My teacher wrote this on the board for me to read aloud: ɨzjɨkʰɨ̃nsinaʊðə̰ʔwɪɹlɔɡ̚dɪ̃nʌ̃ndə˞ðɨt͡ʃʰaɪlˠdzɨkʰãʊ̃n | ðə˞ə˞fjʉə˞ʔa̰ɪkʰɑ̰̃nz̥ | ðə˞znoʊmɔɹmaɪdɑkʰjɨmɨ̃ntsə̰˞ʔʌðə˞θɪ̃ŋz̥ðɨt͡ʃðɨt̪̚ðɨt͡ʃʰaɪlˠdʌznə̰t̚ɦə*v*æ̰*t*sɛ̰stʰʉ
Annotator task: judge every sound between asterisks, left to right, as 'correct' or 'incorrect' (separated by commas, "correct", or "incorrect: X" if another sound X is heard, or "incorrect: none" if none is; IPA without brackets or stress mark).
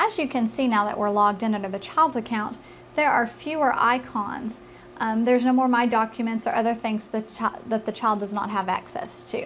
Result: correct, incorrect: k